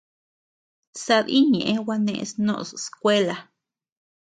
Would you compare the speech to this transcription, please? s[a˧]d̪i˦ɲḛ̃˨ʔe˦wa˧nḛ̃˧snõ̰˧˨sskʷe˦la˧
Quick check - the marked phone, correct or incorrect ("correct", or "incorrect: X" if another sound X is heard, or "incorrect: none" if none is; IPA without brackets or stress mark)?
correct